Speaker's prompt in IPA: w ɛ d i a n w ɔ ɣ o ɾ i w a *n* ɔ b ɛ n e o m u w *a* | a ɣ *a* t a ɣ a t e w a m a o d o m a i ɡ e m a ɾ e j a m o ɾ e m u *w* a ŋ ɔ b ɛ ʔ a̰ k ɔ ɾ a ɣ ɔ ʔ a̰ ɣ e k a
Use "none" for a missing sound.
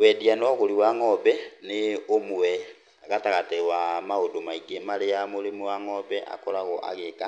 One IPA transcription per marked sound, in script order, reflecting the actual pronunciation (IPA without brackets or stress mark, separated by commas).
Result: ŋ, ɛ, a, w